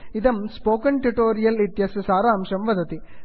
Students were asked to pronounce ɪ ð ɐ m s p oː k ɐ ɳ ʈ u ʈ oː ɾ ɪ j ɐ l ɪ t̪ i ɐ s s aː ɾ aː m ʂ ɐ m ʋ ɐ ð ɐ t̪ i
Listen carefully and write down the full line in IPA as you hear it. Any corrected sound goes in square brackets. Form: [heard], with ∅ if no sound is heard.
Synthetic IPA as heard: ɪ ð ɐ m s p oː k ɐ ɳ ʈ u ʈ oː ɾ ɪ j ɐ l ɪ t̪ [j] ɐ s s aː ɾ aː m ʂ ɐ m ʋ ɐ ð ɐ t̪ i